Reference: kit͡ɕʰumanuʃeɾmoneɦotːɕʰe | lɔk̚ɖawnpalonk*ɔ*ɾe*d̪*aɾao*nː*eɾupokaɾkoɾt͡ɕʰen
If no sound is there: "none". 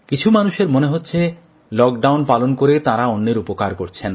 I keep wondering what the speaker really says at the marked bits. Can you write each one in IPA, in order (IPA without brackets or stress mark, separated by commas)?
o, t̪, nː